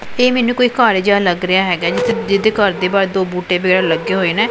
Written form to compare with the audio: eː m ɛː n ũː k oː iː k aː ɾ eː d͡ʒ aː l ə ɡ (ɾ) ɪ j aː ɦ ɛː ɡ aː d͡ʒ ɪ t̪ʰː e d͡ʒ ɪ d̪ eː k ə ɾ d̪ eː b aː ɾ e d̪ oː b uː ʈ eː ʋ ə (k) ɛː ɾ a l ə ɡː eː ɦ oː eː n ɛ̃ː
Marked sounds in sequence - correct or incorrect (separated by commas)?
correct, incorrect